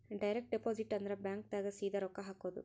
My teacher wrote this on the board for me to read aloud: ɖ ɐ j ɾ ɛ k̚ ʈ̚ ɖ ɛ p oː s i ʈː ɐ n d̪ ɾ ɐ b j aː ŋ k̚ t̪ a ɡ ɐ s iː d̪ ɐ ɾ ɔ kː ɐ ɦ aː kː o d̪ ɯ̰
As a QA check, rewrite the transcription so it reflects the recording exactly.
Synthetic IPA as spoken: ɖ ɐ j ɾ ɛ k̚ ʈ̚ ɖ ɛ p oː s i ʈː ɐ n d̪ ɾ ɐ b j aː ŋ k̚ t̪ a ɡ ɐ s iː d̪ ɐ ɾ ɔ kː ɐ ɦ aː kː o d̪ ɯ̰